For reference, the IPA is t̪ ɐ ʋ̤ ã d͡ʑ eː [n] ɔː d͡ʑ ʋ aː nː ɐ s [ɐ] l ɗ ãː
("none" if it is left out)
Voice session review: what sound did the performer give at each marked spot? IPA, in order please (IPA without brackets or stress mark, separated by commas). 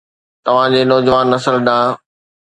n, ə